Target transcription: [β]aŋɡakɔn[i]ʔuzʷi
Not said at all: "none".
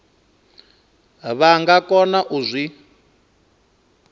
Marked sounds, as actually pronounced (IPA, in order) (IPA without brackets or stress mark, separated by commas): β, a